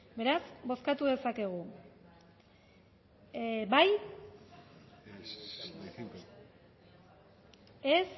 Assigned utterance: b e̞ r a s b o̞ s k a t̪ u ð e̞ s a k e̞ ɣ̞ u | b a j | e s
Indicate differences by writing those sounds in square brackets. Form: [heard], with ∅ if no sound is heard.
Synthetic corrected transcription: b e̞ [ɾ] a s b o̞ s k a t̪ u ð e̞ s a k e̞ ɣ̞ u | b a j | e s